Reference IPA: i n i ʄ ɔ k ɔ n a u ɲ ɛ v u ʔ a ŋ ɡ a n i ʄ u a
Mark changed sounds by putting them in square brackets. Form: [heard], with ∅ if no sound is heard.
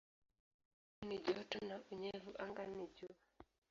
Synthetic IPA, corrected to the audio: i n i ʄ ɔ [t] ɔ n a u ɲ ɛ v u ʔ a ŋ ɡ a n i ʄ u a